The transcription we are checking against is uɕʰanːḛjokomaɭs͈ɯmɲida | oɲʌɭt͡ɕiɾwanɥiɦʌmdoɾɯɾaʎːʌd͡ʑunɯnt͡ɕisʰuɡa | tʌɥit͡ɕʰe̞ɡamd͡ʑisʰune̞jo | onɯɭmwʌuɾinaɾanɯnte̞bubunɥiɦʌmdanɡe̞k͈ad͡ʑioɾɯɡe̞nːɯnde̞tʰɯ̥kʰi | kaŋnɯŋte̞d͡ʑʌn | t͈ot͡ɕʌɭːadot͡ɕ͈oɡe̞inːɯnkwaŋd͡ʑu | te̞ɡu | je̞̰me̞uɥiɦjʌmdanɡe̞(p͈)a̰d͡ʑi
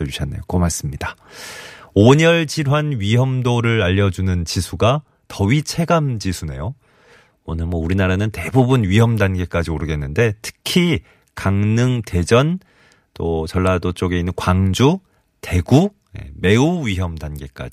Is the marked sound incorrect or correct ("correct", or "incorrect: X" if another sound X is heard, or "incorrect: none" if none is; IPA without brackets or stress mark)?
incorrect: k͈